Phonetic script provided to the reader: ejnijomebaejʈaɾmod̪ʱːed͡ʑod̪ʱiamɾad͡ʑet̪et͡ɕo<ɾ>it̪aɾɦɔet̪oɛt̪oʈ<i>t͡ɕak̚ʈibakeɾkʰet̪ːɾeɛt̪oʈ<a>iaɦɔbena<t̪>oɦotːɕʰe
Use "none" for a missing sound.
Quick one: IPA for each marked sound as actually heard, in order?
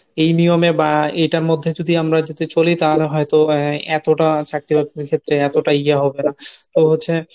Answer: l, a, a, t̪

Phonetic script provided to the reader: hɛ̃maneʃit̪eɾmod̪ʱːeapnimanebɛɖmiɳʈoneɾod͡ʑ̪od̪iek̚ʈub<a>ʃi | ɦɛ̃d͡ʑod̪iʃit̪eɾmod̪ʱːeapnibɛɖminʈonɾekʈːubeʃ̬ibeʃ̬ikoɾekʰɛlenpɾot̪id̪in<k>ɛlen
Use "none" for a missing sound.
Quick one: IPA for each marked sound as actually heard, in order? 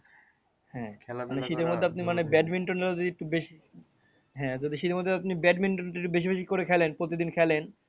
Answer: e, kʰ

